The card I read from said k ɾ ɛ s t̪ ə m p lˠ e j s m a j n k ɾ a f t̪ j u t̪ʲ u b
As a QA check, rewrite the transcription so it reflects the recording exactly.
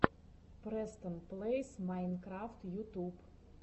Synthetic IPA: p ɾ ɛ s t̪ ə n p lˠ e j s m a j n k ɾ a f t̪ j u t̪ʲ u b